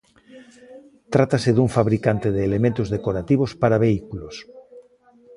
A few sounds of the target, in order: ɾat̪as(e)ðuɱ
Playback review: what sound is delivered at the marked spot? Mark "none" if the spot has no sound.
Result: e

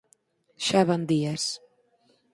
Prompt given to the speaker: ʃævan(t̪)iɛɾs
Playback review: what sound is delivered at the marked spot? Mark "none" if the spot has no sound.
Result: d̪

